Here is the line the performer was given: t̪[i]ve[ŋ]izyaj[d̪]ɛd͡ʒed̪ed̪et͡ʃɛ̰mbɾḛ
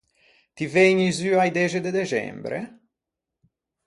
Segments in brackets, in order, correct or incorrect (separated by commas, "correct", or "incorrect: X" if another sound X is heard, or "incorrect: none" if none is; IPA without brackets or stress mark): correct, incorrect: ɲ, correct